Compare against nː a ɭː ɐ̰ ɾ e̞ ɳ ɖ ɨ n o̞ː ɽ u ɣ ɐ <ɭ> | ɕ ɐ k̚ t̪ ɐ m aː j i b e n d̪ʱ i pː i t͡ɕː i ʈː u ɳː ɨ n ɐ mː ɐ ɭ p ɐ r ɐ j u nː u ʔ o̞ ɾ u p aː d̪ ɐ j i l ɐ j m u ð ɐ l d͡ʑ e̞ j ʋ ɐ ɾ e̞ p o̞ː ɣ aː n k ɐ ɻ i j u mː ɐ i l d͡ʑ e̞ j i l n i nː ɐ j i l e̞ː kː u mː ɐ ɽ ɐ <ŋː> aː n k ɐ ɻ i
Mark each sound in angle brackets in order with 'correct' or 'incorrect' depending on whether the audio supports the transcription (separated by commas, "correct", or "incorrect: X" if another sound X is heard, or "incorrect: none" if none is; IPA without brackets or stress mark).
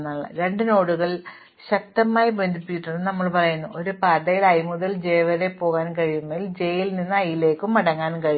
correct, correct